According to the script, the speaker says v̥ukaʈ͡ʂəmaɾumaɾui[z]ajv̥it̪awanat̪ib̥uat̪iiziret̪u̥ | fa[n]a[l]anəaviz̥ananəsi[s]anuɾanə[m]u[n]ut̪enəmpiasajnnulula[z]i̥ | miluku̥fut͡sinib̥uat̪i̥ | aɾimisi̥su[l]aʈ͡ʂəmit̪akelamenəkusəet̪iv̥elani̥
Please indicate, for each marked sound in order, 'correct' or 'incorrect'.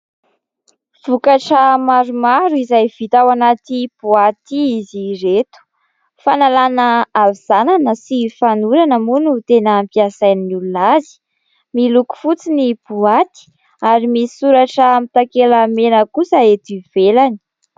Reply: correct, correct, correct, incorrect: f, correct, correct, correct, incorrect: ɾ

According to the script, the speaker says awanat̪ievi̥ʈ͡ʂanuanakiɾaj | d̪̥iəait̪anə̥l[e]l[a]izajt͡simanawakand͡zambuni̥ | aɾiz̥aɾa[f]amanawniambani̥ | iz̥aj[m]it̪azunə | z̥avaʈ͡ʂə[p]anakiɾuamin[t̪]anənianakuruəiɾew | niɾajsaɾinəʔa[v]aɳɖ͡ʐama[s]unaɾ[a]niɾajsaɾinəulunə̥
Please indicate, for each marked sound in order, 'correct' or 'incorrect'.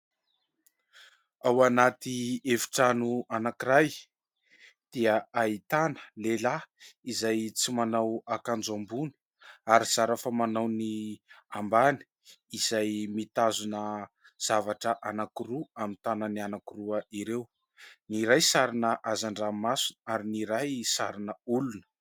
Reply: correct, correct, correct, correct, incorrect: ʔ, correct, incorrect: z, correct, incorrect: i

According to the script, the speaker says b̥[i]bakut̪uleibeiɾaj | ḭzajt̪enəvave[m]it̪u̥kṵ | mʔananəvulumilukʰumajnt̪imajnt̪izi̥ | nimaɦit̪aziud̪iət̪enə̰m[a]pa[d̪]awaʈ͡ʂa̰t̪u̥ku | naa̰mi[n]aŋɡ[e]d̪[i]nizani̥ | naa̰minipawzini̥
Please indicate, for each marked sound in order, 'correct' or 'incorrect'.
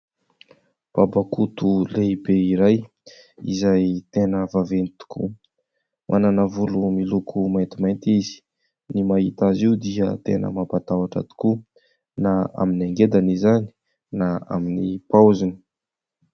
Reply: incorrect: a, incorrect: n, correct, incorrect: t̪, correct, correct, incorrect: a

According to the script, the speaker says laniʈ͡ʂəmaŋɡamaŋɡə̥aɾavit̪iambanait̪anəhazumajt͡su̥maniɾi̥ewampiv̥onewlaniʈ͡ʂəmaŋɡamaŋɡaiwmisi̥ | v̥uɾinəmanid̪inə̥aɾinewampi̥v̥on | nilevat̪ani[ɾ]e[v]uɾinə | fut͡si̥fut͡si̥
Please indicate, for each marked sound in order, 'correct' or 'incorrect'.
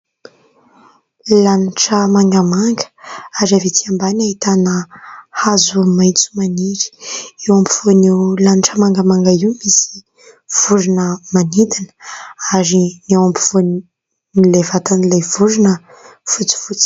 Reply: incorrect: l, correct

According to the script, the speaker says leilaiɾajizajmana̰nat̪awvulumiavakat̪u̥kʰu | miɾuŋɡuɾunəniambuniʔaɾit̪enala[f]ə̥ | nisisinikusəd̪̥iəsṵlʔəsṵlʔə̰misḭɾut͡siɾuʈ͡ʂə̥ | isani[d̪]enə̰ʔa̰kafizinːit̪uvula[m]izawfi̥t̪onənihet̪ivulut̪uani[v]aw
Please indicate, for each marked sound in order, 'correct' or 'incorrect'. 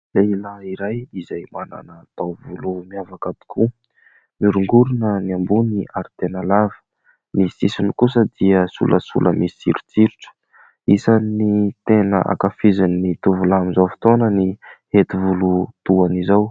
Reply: incorrect: v, incorrect: t̪, correct, incorrect: z

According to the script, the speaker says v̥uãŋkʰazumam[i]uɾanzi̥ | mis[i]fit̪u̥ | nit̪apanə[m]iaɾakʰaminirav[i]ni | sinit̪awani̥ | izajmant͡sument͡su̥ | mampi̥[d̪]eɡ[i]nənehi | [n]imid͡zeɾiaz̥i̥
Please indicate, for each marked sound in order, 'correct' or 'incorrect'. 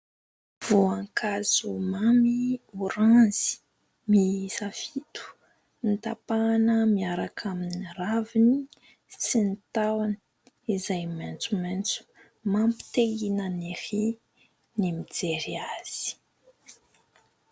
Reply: correct, incorrect: a, correct, correct, incorrect: t̪, correct, correct

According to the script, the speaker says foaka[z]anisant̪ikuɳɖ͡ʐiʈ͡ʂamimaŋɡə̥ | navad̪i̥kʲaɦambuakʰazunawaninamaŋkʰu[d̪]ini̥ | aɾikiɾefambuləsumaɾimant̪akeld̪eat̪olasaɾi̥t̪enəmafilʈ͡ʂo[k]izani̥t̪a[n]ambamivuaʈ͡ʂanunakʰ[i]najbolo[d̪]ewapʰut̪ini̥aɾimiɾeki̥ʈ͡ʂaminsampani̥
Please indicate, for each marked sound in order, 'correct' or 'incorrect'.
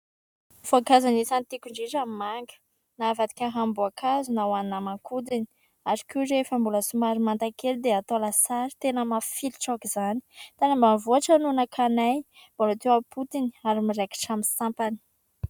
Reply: correct, correct, correct, correct, incorrect: a, incorrect: t̪

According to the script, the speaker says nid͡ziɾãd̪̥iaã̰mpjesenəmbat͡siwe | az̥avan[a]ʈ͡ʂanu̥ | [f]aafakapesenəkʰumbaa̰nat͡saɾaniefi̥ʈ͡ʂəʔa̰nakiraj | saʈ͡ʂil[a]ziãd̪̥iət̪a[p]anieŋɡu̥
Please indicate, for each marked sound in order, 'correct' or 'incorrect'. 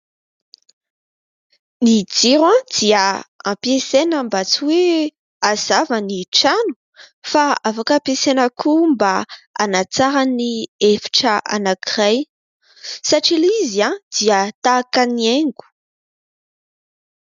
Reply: incorrect: i, correct, incorrect: i, incorrect: k

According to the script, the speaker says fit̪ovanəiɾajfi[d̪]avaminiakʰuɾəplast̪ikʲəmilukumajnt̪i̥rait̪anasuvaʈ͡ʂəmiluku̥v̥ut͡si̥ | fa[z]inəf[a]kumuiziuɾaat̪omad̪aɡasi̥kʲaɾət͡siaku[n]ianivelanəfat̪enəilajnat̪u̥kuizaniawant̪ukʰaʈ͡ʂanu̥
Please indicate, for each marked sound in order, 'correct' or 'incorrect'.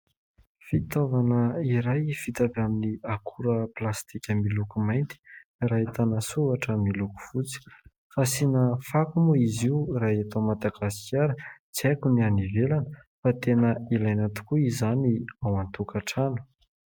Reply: incorrect: t̪, incorrect: s, correct, correct

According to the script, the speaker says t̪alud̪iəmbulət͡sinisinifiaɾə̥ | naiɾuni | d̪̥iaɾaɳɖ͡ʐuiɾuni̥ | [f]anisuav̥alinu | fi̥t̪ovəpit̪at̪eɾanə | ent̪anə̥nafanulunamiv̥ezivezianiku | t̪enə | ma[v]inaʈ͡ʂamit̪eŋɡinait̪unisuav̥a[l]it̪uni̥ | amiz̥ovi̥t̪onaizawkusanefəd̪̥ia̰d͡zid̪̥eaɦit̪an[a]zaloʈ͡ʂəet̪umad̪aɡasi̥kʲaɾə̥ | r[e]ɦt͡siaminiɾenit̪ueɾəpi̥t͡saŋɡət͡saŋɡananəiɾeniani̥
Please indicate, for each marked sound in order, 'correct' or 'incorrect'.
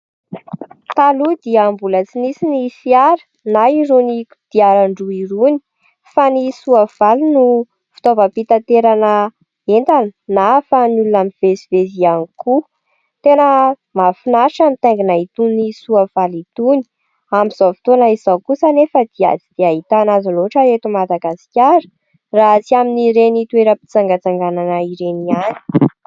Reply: correct, incorrect: f, correct, correct, incorrect: a

